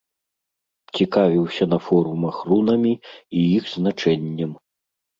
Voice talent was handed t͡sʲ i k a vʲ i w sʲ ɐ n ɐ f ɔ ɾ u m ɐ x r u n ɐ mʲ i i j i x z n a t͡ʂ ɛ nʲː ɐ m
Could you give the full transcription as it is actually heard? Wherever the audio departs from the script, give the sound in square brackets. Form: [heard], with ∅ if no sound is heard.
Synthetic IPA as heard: t͡sʲ i k a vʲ i w sʲ ɐ n ɐ f ɔ ɾ u m ɐ x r u n ɐ mʲ i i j i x z n a t͡ʂ ɛ nʲː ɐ m